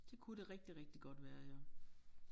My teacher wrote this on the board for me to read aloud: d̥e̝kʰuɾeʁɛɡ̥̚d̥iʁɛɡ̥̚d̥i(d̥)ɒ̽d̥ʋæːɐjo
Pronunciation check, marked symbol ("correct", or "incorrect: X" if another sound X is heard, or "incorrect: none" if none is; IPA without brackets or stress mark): incorrect: ɡ̥